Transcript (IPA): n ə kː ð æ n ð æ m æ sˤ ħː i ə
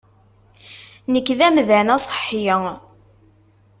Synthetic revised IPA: n ə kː ð æ m ð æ n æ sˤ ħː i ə